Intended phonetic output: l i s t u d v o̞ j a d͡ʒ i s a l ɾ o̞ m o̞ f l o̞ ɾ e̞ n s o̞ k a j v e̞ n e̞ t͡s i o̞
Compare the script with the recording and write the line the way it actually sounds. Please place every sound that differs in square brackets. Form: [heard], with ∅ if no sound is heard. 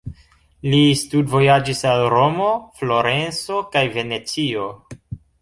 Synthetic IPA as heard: l i s t u d v o̞ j a d͡ʒ i s a l ɾ o̞ m o̞ f l o̞ ɾ e̞ n s o̞ k a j v e̞ n e̞ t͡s i o̞

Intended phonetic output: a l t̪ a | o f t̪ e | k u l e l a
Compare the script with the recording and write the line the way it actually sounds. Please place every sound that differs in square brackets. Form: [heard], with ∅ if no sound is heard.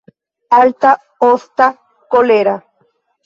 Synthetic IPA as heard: a l t̪ a | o [s] t̪ [a] | k [o] l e [ɾ] a

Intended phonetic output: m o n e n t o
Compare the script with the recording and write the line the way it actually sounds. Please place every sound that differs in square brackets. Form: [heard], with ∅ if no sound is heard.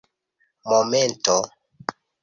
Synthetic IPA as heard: m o [m] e n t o

